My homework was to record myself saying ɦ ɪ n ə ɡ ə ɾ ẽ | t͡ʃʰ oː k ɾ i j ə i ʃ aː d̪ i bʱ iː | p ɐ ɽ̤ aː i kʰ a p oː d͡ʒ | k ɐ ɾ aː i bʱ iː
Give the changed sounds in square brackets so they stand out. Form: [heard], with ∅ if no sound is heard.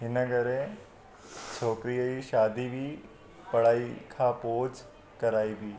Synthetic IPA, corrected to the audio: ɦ ɪ n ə ɡ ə ɾ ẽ | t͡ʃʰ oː k ɾ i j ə i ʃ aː d̪ i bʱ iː | p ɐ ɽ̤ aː i kʰ a p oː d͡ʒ | k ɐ ɾ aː i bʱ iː